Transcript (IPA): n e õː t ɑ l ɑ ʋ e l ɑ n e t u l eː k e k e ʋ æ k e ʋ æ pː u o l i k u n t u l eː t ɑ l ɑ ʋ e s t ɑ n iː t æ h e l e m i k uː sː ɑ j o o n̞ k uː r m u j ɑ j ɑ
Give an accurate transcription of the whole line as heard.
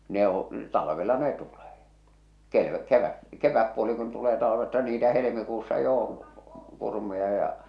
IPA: n e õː t ɑ l ɑ ʋ e l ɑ n e t u l eː k e k e ʋ æ k e ʋ æ pː u o l i k u n t u l eː t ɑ l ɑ ʋ e s t ɑ n iː t æ h e l e m i k uː sː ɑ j o o n̞ k u r m u j ɑ j ɑ

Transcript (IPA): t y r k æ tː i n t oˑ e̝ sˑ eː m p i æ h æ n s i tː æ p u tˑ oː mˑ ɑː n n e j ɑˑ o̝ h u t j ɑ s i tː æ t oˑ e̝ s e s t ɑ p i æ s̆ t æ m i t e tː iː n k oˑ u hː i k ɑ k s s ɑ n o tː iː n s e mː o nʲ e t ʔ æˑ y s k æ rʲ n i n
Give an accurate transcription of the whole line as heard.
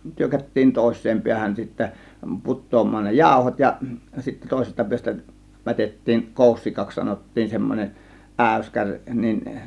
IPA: t y r k æ tː iː n t oˑ e̝ sˑ eː m p i æ h æ n s i tː æ p u tˑ oː mˑ ɑː n n e j ɑˑ o̝ h o t j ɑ s i tː æ t oˑ e̝ s e s t ɑ p i æ s̆ t æ m æ t e tː iː n k oˑ u sː i k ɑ k s s ɑ n o tː iː n s e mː o nʲ e ʔ ʔ æˑ y s k æ rʲ n i n

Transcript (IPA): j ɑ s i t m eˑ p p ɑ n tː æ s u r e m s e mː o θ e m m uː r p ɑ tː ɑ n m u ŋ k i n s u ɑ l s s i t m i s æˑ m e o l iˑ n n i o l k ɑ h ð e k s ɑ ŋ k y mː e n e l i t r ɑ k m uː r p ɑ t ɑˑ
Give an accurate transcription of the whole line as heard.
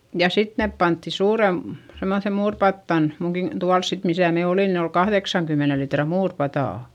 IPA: j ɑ s i t n eˑ p p ɑ n tː i s uː r e m s e mː o θ e m m uː r p ɑ tː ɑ n m u ŋ k i n t u ɑ l s s i t m i s æˑ m e o l iˑ n n i o l k ɑ h ð e k s ɑ ŋ k y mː e n e l i t r ɑ m uː r p ɑ t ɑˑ

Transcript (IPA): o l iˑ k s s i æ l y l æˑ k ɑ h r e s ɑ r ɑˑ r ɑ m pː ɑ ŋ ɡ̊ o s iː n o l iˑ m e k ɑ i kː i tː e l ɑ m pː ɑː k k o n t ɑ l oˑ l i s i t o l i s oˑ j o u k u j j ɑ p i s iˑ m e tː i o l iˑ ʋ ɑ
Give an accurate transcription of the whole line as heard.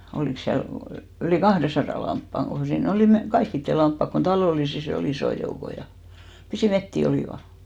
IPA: o l iˑ k s s i æ l y l iˑ k ɑ h r e s ɑ r ɑˑ l ɑ m pː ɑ ŋ ɡ̊ o s iː n o l iˑ m e k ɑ i kː i tː e l ɑ m pː ɑ k k o n t ɑ l oˑ l i s i s o l i s oˑ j o u k o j j ɑ p i s iˑ m e tː i o l iˑ ʋ ɑ

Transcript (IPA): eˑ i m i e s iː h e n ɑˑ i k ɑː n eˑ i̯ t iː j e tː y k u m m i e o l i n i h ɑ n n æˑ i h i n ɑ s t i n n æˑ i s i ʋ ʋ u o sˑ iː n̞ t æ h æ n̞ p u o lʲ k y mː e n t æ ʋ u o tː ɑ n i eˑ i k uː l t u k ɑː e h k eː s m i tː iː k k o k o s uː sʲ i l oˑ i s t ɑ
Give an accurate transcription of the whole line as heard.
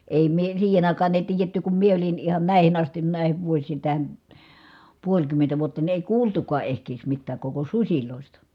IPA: eˑ i m i e s iː h e n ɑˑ i k ɑː n eˑ i̯ t iː j e tː y k u m m i e o l i n i h ɑ n n æˑ i h i n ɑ s t i n n æˑ i h i ʋ ʋ u o sˑ iː n̞ t æ h æ n̞ p u o lʲ k y mː e n t æ ʋ u o tː ɑ n i eˑ i k uː l t u k ɑː e h k eː s m i tː æː k k o k o s u sʲ i l oˑ i s t ɑ

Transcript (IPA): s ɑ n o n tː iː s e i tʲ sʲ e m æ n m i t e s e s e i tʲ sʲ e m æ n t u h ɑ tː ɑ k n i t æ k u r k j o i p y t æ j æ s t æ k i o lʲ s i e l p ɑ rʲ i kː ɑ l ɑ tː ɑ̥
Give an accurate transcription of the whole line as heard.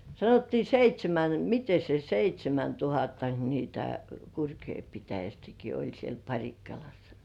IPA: s ɑ n o tː iː s e i tʲ sʲ e m æ n m i t e s e s e i tʲ sʲ e m æ n t u h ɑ tː ɑ k n i t æ k u r k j o i p i t æ j æ s t æ k i o lʲ s i e l p ɑ rʲ i kː ɑ l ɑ sː ɑ̥

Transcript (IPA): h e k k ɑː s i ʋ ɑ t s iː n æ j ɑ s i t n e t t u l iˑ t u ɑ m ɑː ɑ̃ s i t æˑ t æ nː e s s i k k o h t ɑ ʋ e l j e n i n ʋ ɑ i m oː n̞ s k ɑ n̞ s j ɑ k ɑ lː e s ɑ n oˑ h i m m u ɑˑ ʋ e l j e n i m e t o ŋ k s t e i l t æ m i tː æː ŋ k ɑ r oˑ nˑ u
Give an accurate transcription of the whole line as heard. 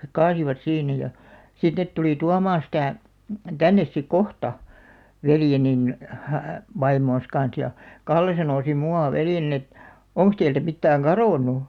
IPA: h e k k ɑː s i ʋ ɑ t s iː n æ j ɑ s i t n e t t u l iˑ t u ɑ m ɑː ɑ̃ s i t æˑ t æ nː e s s i k k o h t ɑ ʋ e l j e n i n ʋ ɑ i m oː n̞ s k ɑ n̞ s j ɑ k ɑ lː e s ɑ n oˑ s i m m u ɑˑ ʋ e l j e n i n e t o ŋ k s t e i l t æ m i tː æː ŋ k ɑ r oˑ nˑ u

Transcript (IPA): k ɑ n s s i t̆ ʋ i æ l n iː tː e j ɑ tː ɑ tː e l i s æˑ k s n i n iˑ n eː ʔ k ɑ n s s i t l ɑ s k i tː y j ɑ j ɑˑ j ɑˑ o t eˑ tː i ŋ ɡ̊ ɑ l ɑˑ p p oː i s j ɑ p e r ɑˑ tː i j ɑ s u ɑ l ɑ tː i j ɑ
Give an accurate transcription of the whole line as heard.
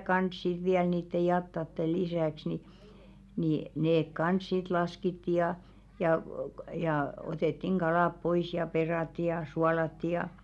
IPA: k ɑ n s s i t̆ ʋ i æ l n iː tː e j ɑ tː ɑ tː e l i s æˑ k s n i n iˑ n eː k k ɑ n s s i t l ɑ s k i tː i j ɑ j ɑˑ j ɑˑ o t eˑ tː i ŋ ɡ̊ ɑ l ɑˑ p p o i s j ɑ p e r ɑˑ tː i j ɑ s u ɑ l ɑ tː i j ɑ

